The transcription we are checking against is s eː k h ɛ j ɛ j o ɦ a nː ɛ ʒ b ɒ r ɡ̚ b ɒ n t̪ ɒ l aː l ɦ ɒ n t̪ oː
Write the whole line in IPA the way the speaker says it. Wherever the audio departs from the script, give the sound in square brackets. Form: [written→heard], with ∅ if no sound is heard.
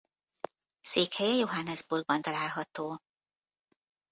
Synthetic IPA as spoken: s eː k h ɛ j ɛ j o ɦ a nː ɛ [ʒ→z] b [ɒ→u] r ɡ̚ b ɒ n t̪ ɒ l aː l ɦ ɒ [n→∅] t̪ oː